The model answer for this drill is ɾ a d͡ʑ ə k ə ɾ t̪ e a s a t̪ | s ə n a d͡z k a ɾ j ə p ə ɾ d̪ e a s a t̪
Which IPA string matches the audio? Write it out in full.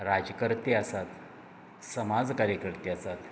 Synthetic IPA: ɾ a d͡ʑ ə k ə ɾ t̪ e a s a t̪ | s ə m a d͡z k a ɾ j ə k ə ɾ t̪ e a s a t̪